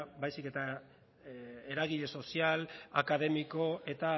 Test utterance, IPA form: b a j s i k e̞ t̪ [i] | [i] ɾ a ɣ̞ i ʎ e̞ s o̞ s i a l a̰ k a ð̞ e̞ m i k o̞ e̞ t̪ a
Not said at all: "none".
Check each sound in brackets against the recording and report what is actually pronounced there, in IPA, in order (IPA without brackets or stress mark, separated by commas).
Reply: a, e